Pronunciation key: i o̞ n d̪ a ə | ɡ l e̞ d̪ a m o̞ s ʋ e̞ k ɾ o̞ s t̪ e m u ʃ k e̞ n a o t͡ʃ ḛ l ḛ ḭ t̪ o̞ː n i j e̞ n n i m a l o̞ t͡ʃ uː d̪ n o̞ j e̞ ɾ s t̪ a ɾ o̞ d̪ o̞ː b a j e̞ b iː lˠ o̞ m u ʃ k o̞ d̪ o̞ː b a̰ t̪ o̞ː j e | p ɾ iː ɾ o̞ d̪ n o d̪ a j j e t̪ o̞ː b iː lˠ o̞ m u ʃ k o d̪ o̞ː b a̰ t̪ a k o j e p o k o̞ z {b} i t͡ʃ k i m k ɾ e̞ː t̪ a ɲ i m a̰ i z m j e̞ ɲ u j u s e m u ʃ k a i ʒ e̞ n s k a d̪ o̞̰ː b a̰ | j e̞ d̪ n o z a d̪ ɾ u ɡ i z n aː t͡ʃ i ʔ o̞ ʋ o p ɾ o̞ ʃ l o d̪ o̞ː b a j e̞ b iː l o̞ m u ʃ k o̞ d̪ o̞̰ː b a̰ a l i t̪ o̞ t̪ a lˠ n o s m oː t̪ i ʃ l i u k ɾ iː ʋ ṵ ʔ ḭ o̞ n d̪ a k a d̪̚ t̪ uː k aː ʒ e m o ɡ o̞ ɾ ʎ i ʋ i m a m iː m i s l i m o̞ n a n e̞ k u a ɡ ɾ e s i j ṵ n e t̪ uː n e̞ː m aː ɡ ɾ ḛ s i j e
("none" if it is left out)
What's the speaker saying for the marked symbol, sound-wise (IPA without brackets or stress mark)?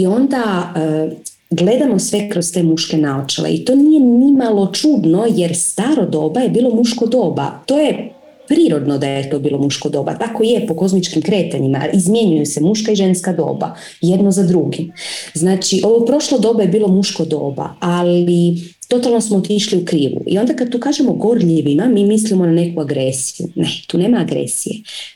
m